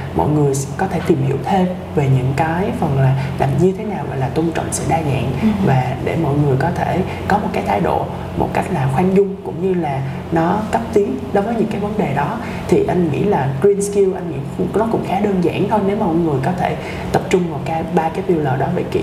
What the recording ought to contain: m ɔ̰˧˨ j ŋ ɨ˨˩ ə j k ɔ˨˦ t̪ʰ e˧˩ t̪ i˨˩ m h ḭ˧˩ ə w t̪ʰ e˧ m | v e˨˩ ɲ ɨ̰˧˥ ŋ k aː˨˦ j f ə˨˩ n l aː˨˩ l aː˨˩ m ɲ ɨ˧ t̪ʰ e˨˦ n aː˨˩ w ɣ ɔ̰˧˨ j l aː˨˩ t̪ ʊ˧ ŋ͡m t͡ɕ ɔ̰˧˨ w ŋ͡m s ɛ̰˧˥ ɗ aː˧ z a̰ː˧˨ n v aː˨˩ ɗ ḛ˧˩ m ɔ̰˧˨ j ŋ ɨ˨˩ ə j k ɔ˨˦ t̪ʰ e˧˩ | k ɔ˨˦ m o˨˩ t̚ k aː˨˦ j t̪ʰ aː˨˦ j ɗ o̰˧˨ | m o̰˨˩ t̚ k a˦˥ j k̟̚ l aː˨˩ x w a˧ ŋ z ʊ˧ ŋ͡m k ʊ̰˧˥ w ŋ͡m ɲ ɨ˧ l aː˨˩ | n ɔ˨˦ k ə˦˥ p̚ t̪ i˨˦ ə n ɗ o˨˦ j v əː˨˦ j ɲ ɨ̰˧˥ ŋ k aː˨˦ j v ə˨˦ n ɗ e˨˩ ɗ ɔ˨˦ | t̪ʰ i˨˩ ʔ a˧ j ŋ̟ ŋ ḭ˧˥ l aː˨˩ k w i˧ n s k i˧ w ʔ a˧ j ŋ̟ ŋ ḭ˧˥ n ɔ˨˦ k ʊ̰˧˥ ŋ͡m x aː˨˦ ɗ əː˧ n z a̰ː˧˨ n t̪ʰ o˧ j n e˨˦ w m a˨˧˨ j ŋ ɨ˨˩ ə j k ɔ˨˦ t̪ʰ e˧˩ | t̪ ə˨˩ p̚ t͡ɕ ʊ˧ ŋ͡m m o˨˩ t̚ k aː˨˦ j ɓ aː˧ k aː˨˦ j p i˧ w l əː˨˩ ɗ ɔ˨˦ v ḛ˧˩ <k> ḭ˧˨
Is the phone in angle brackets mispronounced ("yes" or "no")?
no